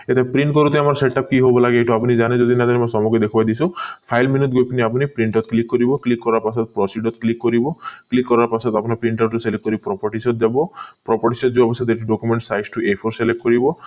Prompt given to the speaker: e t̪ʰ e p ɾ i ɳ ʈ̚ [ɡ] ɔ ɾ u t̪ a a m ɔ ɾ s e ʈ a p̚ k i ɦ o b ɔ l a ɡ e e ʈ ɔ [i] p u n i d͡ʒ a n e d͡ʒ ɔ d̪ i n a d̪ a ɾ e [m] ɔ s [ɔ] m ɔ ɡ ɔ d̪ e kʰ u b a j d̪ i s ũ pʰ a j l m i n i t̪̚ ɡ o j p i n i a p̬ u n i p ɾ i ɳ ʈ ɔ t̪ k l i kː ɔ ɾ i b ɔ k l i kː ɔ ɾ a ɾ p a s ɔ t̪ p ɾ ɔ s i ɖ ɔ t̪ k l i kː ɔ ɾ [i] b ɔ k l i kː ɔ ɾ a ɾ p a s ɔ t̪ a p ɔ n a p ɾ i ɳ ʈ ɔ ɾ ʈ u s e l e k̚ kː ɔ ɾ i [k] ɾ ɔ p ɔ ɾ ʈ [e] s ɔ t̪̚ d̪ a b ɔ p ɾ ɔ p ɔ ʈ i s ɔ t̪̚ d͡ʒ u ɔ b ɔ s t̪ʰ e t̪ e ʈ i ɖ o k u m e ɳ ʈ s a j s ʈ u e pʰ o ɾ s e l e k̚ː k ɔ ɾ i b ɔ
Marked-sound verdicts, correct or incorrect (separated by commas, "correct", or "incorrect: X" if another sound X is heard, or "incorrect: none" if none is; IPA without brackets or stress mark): incorrect: k, incorrect: a, correct, correct, correct, incorrect: p, incorrect: i